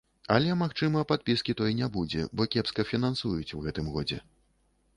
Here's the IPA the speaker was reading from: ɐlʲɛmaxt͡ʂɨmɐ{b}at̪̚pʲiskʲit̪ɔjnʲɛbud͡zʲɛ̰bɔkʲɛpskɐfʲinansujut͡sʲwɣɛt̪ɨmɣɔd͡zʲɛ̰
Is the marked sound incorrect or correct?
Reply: incorrect